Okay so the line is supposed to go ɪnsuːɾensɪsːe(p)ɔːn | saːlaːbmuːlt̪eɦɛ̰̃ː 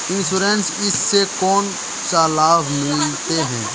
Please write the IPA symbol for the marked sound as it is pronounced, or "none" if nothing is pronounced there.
k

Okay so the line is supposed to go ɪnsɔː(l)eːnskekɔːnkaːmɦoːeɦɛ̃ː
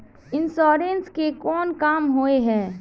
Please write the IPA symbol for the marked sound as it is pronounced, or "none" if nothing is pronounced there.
ɾ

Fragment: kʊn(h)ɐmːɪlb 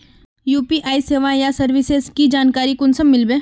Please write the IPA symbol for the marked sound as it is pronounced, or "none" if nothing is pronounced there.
s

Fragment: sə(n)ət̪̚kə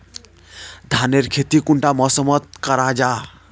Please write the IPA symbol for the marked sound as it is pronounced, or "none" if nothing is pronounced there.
m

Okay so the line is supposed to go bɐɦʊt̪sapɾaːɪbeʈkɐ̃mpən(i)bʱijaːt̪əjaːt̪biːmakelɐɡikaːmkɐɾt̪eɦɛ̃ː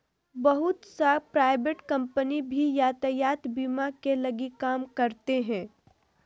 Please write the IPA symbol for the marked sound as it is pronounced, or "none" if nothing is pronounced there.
i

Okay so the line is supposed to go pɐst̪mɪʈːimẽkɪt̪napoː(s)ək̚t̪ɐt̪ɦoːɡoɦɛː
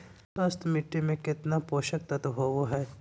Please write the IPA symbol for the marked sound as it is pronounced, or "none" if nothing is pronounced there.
ʃ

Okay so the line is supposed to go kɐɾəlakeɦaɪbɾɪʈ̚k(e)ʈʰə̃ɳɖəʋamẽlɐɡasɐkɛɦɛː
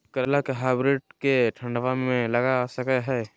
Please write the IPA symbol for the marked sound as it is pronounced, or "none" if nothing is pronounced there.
e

